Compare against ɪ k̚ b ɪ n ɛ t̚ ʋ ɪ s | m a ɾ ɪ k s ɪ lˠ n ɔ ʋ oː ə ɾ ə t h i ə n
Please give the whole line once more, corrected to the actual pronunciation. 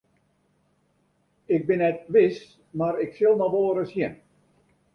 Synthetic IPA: ɪ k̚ b ɪ n ɛ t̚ ʋ ɪ s | m a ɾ ɪ k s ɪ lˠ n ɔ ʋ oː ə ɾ ə s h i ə n